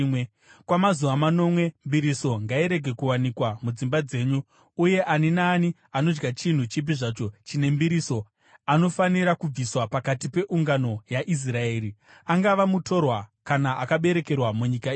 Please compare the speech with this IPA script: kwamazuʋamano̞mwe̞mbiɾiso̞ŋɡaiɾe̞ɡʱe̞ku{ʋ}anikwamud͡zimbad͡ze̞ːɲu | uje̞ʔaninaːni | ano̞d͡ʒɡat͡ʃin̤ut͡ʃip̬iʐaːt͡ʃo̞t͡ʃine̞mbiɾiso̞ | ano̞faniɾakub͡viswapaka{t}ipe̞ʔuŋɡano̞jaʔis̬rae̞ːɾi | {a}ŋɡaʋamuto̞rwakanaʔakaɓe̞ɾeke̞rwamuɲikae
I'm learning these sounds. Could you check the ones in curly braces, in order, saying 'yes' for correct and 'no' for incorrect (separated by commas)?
no, yes, yes